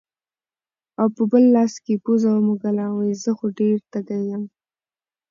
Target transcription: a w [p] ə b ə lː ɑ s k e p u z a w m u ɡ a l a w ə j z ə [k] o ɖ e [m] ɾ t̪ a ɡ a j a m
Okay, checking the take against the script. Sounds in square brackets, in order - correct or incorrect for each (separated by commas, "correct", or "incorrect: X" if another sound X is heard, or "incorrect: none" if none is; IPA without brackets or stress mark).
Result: correct, incorrect: x, incorrect: none